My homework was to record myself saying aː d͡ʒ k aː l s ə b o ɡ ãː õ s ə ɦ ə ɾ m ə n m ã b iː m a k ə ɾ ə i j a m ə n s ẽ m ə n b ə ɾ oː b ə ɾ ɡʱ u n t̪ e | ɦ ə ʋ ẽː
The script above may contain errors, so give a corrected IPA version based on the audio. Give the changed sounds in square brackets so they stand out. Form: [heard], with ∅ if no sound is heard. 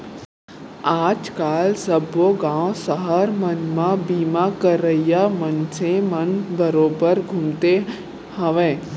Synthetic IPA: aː d͡ʒ k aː l s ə b o ɡ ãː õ s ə ɦ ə ɾ m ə n m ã b iː m a k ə ɾ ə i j a m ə n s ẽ m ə n b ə ɾ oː b ə ɾ ɡʱ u [m] t̪ e | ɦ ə ʋ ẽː